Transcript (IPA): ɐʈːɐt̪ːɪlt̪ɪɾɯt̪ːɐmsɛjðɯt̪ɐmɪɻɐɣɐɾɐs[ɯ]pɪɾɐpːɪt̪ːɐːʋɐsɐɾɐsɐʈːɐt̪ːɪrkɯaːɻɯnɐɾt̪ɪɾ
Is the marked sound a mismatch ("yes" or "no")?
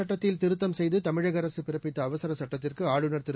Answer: no